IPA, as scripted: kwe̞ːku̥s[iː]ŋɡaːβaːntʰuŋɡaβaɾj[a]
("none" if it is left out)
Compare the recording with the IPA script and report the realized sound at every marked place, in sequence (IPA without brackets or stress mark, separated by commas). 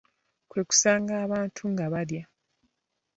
aː, a